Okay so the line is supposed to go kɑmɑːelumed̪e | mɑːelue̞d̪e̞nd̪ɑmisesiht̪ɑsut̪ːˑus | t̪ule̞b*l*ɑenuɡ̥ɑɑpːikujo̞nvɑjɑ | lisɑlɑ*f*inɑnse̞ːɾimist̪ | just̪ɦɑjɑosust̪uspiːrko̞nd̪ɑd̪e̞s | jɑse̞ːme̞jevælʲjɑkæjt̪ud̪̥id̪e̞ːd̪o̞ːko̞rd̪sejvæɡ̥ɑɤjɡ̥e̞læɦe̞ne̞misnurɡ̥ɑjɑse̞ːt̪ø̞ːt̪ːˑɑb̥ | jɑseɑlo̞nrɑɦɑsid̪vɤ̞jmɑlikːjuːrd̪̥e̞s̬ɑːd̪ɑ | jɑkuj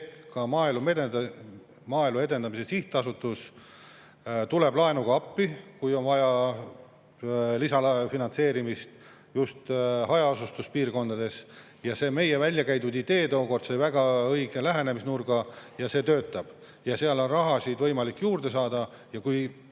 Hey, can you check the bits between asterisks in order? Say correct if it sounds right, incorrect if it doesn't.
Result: correct, correct

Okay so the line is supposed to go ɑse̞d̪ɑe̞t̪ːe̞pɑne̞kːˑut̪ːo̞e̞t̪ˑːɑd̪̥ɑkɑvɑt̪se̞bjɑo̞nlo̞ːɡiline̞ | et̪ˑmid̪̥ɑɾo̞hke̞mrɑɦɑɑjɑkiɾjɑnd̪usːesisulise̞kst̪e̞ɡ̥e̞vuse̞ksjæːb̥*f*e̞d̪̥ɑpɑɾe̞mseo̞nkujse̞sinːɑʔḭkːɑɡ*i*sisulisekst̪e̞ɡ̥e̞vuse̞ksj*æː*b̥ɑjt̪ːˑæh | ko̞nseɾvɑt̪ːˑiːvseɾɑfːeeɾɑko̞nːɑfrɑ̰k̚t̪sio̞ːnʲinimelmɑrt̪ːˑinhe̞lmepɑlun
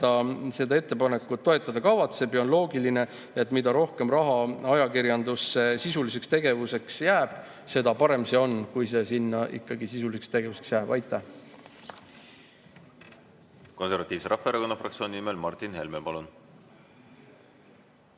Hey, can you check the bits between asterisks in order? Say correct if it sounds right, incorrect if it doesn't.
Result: incorrect, correct, correct

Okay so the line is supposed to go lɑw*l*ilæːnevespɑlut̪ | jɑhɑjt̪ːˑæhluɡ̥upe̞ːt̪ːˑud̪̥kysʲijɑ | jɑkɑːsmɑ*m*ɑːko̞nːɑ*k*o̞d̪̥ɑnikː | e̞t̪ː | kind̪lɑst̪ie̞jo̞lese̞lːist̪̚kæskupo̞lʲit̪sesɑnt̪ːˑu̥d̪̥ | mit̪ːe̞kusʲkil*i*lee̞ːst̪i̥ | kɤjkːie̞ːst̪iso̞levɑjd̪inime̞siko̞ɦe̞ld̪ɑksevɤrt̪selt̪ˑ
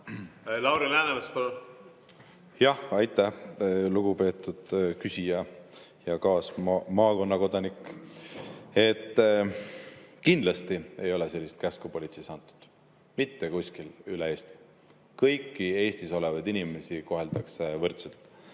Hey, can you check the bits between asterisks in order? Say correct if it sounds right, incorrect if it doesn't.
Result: incorrect, correct, correct, incorrect

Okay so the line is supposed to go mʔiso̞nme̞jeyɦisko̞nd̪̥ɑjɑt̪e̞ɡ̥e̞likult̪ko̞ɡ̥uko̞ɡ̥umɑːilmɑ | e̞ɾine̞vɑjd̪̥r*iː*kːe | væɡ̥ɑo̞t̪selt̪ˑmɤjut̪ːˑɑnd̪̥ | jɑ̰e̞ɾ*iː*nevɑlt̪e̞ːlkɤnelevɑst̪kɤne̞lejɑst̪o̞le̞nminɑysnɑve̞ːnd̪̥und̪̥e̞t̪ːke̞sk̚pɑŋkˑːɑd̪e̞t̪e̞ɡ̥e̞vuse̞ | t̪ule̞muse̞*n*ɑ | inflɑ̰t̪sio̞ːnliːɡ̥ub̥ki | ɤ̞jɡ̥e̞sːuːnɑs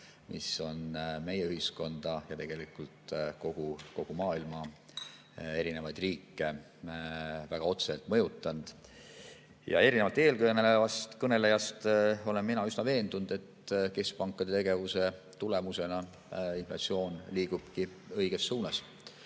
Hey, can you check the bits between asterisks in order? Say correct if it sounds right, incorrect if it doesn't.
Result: correct, incorrect, correct

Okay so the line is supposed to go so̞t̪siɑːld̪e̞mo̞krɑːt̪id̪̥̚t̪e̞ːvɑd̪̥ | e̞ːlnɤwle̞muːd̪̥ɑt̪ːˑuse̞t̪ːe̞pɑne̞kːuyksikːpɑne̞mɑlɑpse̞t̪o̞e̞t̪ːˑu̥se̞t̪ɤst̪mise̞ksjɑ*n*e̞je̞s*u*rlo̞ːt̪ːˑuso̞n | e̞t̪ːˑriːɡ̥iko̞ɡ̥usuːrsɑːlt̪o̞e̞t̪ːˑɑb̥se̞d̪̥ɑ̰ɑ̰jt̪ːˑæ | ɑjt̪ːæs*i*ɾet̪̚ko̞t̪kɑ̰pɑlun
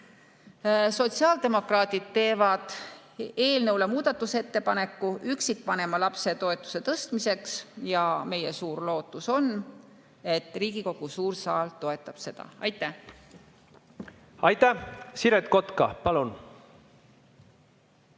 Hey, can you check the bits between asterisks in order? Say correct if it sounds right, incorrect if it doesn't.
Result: incorrect, incorrect, correct

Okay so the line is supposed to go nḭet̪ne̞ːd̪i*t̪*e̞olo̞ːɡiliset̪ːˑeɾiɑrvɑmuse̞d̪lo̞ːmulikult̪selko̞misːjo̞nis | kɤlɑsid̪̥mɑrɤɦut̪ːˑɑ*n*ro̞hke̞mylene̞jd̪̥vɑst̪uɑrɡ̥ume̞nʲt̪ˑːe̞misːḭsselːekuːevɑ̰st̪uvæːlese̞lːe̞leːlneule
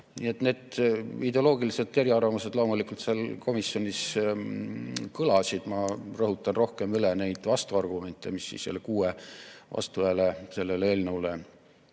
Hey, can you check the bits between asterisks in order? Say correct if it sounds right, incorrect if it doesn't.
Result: incorrect, correct

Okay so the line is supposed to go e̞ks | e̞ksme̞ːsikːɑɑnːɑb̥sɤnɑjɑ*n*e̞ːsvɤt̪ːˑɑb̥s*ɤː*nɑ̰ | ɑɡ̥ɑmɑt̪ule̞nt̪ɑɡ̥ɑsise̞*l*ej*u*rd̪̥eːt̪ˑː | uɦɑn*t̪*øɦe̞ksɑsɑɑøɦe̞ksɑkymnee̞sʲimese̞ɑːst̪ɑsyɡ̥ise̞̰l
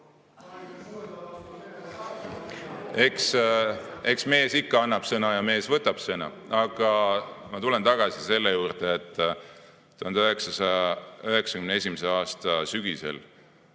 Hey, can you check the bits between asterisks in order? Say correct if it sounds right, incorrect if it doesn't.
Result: incorrect, incorrect, incorrect, incorrect, incorrect

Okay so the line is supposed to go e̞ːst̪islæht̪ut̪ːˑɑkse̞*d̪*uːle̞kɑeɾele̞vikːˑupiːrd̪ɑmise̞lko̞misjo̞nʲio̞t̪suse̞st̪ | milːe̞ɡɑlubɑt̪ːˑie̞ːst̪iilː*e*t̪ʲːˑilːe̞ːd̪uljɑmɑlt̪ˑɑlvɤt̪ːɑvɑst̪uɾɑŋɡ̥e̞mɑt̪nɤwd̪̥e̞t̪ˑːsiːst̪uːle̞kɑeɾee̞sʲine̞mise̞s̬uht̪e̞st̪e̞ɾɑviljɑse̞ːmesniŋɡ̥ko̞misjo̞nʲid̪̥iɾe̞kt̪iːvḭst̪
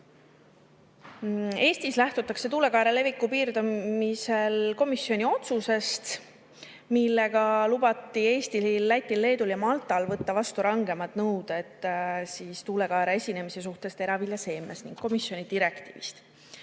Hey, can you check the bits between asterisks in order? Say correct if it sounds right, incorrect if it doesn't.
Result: incorrect, incorrect

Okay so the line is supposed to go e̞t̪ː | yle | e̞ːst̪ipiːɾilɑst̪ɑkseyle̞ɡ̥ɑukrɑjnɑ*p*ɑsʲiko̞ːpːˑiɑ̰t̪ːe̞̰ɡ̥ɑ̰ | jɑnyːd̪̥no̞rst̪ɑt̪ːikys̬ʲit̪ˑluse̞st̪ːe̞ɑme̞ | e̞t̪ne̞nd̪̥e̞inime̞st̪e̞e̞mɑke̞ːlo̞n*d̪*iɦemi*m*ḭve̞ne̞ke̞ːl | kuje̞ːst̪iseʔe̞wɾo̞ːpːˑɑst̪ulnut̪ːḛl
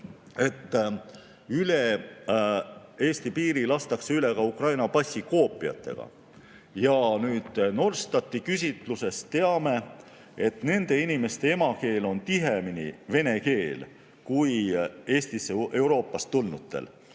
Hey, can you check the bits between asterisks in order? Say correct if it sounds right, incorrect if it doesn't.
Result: correct, incorrect, incorrect

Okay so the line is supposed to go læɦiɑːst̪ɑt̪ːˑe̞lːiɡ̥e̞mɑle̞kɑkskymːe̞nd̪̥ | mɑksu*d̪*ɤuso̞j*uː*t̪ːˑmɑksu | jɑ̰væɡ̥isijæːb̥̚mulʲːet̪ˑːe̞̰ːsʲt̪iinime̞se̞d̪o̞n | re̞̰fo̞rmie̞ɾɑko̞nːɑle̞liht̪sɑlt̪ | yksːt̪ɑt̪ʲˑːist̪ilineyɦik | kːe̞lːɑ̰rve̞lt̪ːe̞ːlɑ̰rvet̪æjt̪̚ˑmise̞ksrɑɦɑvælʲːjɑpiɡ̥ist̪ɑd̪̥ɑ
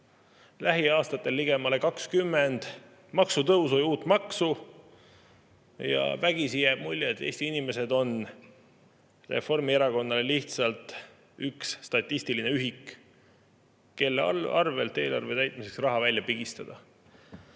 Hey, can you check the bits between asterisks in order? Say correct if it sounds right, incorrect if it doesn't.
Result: incorrect, correct

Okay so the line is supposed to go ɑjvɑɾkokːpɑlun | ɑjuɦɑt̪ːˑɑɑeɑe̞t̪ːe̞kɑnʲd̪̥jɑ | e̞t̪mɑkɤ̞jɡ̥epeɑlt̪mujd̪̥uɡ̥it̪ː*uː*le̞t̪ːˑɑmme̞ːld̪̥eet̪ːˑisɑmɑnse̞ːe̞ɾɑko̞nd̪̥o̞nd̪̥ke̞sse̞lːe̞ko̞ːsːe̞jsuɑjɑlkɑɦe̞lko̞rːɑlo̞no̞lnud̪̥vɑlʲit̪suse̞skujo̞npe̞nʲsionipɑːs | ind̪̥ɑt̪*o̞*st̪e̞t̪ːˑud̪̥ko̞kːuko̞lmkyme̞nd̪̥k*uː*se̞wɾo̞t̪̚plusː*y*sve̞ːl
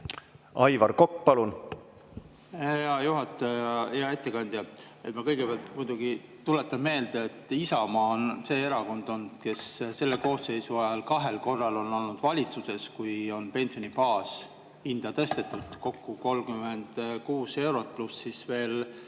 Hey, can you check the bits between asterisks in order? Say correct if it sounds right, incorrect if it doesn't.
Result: incorrect, incorrect, correct, incorrect

